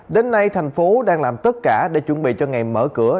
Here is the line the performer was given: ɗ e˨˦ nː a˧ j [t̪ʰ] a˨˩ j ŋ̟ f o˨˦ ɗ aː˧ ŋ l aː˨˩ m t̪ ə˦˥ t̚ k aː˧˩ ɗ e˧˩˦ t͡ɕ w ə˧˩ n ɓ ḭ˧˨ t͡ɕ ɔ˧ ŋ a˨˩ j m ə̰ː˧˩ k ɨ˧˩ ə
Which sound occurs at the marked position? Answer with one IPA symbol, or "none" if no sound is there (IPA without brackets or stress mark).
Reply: t̪ʰ